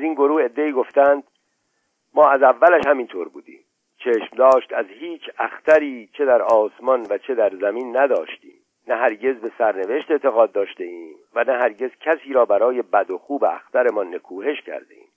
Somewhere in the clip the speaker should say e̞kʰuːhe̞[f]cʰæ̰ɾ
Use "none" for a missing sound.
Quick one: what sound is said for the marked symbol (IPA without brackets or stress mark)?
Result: ʃ